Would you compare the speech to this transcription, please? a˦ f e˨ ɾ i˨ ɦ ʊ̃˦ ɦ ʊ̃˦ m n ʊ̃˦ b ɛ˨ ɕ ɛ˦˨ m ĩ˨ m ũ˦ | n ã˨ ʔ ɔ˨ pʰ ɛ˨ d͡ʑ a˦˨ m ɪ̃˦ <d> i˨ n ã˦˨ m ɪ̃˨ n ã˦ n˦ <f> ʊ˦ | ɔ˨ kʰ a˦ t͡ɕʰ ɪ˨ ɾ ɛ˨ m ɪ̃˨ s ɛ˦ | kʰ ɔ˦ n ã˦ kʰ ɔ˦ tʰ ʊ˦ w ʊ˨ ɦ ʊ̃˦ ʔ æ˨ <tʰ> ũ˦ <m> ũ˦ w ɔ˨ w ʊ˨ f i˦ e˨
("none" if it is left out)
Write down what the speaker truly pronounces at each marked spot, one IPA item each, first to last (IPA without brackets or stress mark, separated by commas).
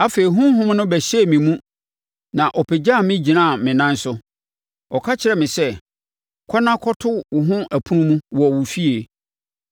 d͡ʑ, s, pʰ, m